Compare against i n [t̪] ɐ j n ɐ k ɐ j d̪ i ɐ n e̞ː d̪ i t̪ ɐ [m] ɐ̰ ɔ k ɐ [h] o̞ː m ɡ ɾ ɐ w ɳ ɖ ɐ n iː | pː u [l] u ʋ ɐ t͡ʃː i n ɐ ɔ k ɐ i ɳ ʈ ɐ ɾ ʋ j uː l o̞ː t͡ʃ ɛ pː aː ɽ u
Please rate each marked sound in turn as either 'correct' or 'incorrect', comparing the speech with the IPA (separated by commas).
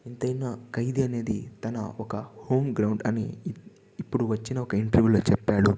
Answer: correct, incorrect, correct, incorrect